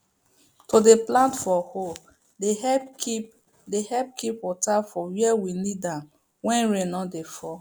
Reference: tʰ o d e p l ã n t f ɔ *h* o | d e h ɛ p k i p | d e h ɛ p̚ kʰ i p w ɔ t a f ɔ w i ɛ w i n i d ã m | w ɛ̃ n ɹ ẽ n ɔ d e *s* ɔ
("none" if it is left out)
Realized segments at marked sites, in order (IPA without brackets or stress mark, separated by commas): h, f